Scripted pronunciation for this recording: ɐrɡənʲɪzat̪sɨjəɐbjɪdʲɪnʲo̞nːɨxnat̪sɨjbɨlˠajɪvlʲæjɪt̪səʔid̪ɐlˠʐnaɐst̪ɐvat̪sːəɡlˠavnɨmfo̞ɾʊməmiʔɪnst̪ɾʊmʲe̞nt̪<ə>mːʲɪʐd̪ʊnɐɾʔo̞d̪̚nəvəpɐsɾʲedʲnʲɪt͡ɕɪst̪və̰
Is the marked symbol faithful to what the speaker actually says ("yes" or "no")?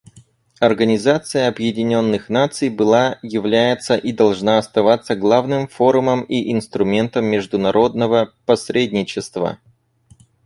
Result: yes